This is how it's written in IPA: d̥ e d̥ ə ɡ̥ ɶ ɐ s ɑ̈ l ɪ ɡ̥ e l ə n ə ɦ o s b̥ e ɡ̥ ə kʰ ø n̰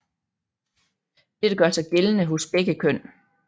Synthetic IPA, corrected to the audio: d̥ e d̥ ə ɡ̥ ɶ ɐ s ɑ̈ ɪ ɡ̥ e l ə n ə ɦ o s b̥ e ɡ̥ ə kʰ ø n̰